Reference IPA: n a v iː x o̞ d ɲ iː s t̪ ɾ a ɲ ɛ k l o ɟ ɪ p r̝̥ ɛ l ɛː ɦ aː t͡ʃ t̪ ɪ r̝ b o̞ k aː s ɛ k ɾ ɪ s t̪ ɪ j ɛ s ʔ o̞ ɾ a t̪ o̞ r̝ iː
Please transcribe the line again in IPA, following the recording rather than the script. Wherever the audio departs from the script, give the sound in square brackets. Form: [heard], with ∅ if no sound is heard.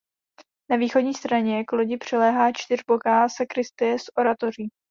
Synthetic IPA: n a v iː x o̞ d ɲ iː s t̪ ɾ a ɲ ɛ k l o ɟ ɪ p r̝̥ ɛ l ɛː ɦ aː t͡ʃ t̪ ɪ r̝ b o̞ k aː s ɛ k ɾ ɪ s t̪ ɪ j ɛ s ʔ o̞ ɾ a t̪ o̞ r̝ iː